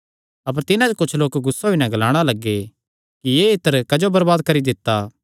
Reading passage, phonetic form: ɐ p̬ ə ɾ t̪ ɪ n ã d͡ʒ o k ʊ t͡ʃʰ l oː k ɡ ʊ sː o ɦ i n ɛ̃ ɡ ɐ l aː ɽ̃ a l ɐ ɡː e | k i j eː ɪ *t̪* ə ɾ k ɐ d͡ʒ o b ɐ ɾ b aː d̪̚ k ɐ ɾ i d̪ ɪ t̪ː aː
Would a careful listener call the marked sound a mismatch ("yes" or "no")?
no